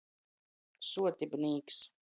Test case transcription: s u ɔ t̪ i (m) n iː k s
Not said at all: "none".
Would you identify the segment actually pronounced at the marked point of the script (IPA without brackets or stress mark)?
b